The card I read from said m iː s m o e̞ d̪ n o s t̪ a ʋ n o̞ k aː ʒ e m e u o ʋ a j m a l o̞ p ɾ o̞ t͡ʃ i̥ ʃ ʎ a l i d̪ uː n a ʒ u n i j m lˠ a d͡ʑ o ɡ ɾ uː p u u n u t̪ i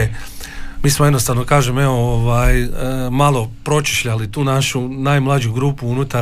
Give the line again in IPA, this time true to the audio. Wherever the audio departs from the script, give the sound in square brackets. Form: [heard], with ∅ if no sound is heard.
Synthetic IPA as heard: m iː s m o e̞ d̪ n o s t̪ a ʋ n o̞ k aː ʒ e m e [o] o ʋ a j m a l o̞ p ɾ o̞ t͡ʃ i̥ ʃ ʎ a l i [t̪] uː n a [ʃ] u n [a] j m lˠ a d͡ʑ [u] ɡ ɾ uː p u u n u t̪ [a]